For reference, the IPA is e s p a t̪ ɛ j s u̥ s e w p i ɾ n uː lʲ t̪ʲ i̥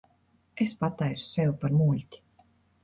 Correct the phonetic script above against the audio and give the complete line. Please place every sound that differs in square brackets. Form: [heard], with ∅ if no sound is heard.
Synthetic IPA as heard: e s p a t̪ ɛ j s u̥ s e w p [a] ɾ [m] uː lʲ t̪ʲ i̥